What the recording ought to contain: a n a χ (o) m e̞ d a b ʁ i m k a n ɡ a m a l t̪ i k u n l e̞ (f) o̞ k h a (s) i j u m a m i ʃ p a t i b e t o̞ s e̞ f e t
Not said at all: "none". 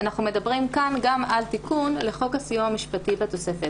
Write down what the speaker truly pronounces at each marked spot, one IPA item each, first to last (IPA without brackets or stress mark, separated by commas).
u, χ, s